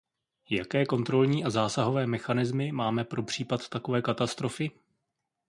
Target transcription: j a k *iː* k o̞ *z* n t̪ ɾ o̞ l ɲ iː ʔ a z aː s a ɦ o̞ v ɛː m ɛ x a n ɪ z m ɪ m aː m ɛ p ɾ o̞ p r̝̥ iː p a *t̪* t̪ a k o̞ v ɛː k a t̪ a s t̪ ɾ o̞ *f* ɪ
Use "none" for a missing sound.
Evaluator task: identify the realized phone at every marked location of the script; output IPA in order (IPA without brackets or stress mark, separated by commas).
ɛː, none, t̪, f